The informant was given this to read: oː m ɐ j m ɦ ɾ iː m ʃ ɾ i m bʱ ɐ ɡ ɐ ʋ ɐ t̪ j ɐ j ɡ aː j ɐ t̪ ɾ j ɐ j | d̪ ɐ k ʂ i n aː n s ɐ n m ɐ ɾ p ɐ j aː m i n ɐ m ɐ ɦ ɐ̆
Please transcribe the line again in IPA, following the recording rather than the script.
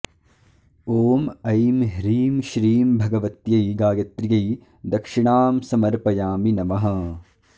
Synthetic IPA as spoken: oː m ɐ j m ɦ ɾ iː m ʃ ɾ iː m bʱ ɐ ɡ ɐ ʋ ɐ t̪ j ɐ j ɡ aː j ɐ t̪ ɾ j ɐ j | d̪ ɐ k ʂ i ɳ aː m s ɐ m ɐ ɾ p ɐ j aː m i n ɐ m ɐ ɦ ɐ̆